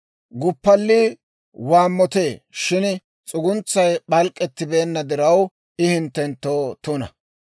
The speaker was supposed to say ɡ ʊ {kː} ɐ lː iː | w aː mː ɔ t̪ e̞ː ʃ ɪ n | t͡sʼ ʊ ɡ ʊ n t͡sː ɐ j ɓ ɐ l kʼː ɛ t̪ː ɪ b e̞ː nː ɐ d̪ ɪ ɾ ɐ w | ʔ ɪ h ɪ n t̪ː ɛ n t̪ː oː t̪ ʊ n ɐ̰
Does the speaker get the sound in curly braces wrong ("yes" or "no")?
yes